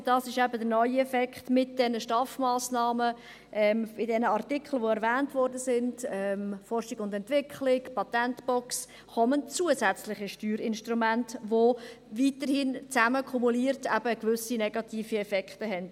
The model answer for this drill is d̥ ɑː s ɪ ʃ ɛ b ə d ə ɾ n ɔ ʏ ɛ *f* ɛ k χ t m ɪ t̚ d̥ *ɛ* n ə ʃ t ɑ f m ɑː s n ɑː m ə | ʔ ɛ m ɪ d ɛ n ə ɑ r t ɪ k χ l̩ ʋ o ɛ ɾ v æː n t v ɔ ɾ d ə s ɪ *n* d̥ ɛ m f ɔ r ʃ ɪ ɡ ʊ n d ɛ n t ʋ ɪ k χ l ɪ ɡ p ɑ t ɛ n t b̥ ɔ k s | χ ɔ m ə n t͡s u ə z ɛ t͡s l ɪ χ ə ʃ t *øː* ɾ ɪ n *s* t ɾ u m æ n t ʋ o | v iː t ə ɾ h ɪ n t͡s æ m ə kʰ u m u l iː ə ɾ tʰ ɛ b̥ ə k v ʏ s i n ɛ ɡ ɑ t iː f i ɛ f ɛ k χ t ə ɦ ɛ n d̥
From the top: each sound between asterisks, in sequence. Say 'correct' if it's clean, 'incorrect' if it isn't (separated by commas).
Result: correct, correct, correct, incorrect, incorrect